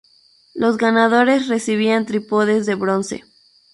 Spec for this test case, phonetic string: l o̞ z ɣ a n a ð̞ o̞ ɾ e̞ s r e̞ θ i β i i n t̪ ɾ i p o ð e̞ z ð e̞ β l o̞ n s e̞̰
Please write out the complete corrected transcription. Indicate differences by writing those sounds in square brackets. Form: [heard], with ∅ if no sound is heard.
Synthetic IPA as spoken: l o̞ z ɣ a n a ð̞ o̞ ɾ e̞ s r e̞ [s] i β i [a] n t̪ ɾ i p o ð e̞ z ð e̞ β [ɾ] o̞ n s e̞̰